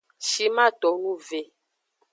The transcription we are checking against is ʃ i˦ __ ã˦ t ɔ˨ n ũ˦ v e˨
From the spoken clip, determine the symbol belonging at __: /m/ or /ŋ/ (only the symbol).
m